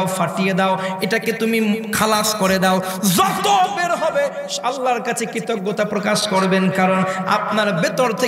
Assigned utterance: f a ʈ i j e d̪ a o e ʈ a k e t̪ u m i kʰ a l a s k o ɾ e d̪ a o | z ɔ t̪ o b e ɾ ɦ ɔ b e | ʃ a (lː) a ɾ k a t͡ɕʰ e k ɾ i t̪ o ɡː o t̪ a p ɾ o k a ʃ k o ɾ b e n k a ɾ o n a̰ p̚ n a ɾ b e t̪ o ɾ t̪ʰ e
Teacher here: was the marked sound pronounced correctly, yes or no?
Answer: yes